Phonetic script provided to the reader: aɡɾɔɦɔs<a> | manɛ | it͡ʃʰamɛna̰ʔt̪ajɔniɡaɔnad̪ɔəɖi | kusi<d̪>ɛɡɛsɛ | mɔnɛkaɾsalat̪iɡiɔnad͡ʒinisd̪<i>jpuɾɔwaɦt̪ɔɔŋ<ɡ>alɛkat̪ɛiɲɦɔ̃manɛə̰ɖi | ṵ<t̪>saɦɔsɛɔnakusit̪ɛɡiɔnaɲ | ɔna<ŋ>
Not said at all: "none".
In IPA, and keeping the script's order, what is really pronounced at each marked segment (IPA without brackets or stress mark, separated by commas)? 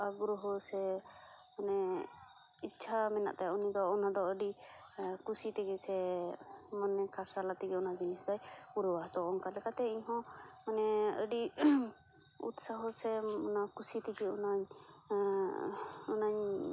ɛ, t̪, a, k, t̪, ɲ